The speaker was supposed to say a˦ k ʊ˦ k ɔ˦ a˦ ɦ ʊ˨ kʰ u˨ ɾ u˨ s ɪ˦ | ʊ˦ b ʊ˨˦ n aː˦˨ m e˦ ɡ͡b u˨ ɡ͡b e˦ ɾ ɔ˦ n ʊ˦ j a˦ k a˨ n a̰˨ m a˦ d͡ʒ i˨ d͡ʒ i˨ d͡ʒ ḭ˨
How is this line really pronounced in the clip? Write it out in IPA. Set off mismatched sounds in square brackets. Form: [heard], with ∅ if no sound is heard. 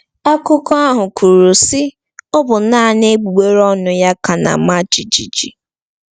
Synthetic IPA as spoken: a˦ k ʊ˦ k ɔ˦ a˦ ɦ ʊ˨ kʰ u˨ ɾ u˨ s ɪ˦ | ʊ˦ b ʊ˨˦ n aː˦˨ [n] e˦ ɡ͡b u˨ ɡ͡b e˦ ɾ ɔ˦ n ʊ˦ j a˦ k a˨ n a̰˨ m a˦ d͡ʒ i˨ d͡ʒ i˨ d͡ʒ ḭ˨